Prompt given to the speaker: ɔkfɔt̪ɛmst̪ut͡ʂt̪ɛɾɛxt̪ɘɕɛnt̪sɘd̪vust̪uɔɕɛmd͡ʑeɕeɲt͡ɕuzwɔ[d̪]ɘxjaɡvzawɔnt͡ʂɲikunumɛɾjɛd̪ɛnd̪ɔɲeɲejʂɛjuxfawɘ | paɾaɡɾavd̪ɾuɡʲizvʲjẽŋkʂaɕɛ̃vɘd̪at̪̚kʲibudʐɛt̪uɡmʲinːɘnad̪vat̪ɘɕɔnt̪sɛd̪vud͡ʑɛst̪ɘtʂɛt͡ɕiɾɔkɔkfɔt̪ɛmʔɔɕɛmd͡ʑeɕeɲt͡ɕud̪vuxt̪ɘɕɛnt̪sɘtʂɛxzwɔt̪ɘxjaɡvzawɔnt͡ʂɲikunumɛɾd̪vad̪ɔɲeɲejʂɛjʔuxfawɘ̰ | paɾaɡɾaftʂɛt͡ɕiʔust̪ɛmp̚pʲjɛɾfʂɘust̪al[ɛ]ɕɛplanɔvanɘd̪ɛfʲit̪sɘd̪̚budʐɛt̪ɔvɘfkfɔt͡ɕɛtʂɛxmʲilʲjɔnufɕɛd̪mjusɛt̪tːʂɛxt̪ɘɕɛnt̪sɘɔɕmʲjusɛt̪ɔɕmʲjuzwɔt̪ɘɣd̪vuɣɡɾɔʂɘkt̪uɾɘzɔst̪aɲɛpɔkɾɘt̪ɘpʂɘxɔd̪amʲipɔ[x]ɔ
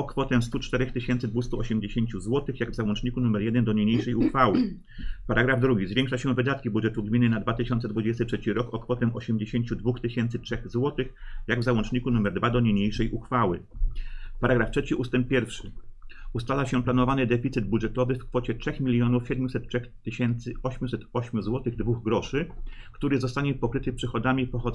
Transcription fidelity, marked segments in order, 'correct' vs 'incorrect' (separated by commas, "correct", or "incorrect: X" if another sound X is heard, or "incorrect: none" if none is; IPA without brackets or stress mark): incorrect: t̪, incorrect: a, correct